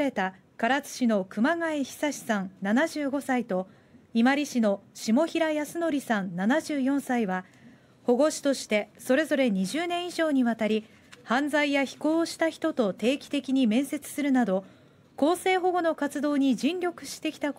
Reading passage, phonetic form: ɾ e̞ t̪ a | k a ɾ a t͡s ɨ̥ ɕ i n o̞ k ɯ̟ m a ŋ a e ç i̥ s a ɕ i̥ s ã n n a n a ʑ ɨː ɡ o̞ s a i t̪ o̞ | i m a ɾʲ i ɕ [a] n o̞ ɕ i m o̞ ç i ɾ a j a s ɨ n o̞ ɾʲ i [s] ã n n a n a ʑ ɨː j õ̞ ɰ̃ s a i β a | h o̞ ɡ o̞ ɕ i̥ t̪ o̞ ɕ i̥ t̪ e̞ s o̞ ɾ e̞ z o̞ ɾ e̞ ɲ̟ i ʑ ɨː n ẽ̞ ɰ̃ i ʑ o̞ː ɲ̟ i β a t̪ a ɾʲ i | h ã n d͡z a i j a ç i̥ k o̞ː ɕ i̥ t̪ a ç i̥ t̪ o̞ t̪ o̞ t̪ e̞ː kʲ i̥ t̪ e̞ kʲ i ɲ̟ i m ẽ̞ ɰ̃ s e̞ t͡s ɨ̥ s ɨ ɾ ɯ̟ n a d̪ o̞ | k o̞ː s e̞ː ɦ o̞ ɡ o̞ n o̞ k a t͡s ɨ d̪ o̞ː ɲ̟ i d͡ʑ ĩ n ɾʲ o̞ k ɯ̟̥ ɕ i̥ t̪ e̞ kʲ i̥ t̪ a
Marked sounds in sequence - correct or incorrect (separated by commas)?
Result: incorrect, correct